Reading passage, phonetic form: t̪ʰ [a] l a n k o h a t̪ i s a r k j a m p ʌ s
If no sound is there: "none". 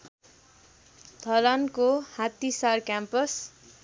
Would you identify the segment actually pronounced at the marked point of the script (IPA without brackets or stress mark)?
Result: ʌ